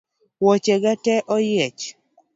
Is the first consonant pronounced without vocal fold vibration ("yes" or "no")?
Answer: no